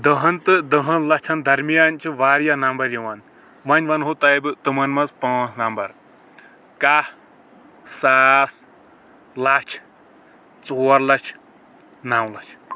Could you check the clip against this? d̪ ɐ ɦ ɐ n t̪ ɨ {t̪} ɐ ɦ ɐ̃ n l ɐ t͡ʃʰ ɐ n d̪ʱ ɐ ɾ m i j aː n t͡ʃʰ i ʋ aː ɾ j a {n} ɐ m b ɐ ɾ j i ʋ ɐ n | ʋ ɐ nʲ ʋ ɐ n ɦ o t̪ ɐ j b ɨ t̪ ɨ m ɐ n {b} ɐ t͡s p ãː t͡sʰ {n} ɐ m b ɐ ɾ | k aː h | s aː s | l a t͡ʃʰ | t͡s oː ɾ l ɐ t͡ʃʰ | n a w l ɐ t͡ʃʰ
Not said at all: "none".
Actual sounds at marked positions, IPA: d̪, n, m, n

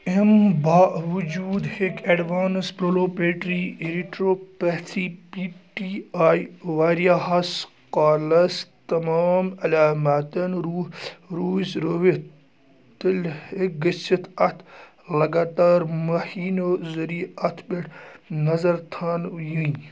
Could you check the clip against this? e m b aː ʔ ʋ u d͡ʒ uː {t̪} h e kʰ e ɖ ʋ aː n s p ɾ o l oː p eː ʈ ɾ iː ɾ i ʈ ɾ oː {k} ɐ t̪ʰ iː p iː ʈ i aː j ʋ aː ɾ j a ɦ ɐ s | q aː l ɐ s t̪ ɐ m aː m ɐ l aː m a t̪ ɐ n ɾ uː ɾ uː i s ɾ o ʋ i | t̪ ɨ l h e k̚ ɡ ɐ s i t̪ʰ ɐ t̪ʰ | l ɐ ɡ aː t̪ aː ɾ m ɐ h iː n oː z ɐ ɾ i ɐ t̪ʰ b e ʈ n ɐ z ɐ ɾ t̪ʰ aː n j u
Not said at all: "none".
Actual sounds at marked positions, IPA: d̪, p

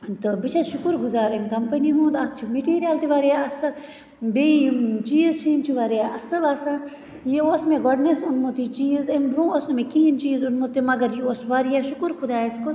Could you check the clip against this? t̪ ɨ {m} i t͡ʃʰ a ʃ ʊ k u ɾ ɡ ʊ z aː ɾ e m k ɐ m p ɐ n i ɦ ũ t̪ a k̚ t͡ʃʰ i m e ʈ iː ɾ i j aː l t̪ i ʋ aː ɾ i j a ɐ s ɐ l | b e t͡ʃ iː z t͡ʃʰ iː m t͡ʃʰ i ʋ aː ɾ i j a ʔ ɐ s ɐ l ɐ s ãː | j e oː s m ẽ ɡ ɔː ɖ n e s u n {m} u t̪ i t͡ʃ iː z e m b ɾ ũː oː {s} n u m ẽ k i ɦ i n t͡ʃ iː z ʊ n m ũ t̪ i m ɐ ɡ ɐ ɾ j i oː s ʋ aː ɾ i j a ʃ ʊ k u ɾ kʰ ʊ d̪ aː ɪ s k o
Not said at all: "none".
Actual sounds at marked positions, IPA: b, m, s

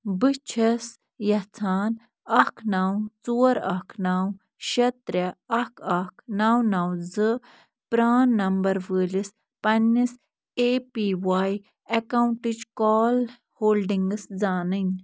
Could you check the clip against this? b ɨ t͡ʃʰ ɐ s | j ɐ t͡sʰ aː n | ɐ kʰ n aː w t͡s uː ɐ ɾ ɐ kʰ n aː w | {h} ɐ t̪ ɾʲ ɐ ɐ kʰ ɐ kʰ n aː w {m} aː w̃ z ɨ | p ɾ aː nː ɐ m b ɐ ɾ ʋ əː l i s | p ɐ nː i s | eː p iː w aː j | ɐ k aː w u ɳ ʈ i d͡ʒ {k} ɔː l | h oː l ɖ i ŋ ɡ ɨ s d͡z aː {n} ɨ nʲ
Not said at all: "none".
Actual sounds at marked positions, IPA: ʃ, n, k, n

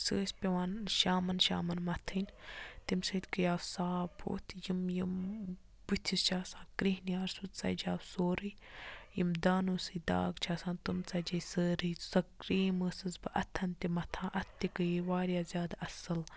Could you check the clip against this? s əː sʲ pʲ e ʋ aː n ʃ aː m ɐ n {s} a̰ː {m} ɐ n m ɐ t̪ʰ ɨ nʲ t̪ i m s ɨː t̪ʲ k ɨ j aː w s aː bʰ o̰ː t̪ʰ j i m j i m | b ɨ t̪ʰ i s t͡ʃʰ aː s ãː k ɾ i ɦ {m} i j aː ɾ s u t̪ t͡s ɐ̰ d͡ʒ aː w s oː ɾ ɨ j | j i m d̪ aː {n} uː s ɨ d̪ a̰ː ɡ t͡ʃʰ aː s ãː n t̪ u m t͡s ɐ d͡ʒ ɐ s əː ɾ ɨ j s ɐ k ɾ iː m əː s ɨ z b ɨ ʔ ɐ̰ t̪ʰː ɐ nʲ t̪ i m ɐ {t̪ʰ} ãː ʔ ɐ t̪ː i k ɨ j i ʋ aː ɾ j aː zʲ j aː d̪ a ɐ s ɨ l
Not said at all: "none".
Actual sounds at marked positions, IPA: ʃ, m, n, n, t̪ʰ

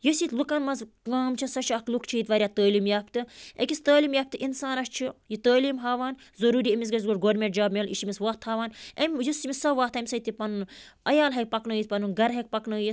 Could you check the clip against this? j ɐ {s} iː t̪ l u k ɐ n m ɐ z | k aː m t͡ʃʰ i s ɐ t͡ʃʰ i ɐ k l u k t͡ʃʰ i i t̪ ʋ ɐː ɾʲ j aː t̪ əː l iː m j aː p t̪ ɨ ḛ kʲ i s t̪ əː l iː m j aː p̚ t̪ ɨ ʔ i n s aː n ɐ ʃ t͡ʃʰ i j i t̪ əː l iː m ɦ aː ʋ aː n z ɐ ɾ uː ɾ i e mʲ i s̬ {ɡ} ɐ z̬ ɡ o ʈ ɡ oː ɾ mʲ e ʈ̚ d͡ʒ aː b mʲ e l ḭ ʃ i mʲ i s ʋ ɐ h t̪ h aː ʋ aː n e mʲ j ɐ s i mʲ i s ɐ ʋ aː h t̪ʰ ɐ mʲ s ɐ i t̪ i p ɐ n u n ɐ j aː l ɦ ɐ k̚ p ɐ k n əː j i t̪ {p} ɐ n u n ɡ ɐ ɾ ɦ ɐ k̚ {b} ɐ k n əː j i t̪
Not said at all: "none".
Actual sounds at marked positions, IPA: s, ɡ, p, p

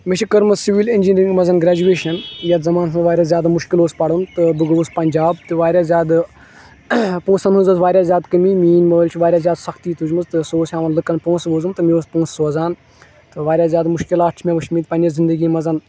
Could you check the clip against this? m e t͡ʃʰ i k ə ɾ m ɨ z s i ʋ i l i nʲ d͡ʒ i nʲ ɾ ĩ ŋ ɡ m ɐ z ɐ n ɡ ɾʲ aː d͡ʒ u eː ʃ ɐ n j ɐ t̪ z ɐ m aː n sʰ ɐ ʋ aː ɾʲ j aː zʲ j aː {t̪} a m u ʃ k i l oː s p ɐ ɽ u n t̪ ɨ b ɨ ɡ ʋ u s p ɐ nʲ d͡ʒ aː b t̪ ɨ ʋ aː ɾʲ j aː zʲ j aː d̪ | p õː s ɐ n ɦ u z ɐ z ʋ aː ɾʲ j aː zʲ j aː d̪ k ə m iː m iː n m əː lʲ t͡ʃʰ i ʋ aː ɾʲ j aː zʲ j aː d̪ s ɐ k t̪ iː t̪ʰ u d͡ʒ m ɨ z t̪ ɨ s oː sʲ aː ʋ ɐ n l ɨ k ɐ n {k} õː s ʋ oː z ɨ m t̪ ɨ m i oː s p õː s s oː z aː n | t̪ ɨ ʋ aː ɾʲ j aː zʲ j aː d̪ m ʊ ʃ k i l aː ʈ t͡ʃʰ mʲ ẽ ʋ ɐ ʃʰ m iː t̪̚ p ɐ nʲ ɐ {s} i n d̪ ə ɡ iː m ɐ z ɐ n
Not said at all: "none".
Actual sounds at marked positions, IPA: d̪, p, z

